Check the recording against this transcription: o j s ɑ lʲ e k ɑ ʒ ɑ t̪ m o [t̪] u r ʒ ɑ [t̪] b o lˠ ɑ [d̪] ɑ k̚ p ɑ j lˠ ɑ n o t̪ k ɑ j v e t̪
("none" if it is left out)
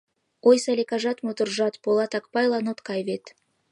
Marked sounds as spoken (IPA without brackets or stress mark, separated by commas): t̪, t̪, t̪